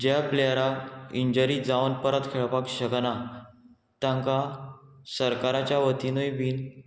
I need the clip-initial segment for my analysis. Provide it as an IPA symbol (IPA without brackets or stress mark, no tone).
d͡ʑ